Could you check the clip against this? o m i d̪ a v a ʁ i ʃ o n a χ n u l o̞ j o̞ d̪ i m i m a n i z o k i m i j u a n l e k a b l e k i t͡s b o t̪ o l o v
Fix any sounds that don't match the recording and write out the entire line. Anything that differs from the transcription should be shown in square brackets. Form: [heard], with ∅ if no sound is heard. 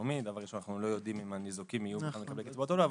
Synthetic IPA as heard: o m i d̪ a v a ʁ i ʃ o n a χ n u l o̞ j o̞ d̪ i m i m a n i z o k i m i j u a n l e k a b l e k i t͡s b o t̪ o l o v

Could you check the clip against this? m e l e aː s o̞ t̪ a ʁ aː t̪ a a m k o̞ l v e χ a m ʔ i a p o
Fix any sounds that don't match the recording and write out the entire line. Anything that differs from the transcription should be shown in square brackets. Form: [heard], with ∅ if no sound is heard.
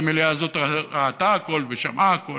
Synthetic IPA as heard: m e l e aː [z] o̞ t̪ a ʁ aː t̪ a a [∅] k o̞ l v e [ʃ] a m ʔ [a] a [k] o

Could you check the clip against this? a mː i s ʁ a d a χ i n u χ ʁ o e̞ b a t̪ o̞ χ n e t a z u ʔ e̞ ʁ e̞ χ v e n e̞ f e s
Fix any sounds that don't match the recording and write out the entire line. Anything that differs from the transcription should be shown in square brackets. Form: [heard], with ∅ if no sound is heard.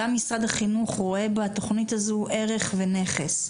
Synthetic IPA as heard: a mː i s ʁ a d a χ i n u χ ʁ o e̞ b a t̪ o̞ χ n [i] t a z u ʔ e̞ ʁ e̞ χ v e n e̞ [χ] e s

